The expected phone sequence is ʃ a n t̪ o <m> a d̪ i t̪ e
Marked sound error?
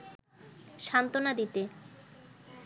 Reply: yes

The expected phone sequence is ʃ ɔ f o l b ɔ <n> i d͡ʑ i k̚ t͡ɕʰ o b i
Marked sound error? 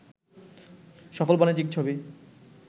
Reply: no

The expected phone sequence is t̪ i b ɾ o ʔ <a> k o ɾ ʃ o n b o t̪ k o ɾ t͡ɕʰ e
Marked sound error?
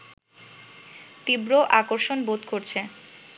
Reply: no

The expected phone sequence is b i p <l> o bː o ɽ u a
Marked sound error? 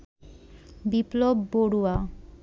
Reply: no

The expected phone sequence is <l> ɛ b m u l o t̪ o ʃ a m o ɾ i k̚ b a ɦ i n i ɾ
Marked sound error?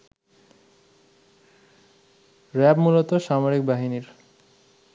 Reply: yes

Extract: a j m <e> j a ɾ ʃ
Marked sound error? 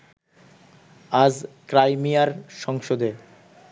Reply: yes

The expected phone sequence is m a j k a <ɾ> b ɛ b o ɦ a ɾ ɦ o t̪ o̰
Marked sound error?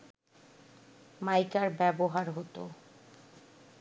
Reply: no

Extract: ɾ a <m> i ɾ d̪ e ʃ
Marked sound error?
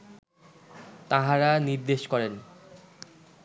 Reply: yes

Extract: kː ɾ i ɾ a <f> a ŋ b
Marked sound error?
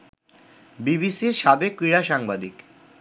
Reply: yes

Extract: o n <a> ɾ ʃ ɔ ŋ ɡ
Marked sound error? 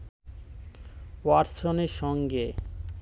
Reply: yes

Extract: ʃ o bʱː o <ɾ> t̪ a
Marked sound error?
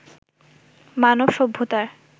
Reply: yes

